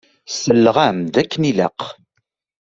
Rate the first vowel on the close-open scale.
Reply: mid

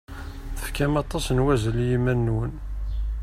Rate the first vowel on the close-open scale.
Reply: mid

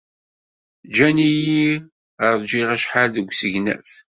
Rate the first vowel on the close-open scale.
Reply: open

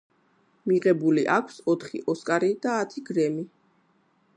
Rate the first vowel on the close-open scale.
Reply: close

